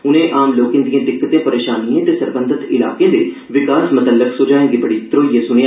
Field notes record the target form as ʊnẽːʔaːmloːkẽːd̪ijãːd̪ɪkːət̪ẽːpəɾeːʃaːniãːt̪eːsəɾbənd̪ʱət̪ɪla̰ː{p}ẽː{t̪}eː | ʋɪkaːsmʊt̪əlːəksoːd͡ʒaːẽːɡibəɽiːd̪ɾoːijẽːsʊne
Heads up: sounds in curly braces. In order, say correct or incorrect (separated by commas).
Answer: incorrect, incorrect